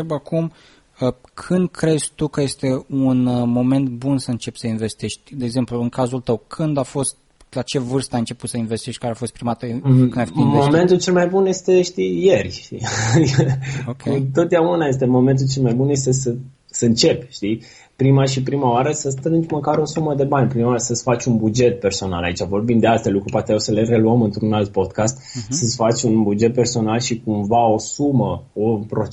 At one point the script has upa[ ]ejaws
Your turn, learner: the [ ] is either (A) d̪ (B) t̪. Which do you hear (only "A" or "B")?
B